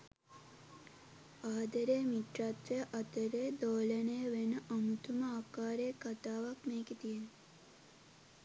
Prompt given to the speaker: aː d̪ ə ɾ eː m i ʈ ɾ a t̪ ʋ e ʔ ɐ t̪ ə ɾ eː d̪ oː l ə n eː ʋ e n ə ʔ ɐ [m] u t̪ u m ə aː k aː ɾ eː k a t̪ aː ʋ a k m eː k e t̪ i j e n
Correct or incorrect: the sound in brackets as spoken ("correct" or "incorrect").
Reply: correct